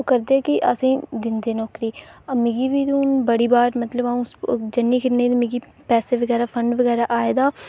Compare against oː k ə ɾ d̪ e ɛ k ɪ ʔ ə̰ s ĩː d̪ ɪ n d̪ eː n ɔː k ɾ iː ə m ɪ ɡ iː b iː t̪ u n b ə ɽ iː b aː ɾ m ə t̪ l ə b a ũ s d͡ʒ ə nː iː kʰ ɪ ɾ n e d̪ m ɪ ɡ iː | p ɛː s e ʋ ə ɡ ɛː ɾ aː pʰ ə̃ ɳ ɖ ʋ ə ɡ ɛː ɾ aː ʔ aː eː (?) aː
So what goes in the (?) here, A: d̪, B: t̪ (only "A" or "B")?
A